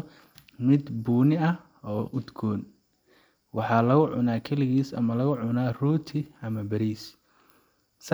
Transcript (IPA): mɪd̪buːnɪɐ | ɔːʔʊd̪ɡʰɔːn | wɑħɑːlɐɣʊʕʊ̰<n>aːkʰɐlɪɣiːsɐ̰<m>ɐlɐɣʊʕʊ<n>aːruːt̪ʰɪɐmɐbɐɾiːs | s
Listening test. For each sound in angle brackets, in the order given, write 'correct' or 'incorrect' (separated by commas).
correct, correct, correct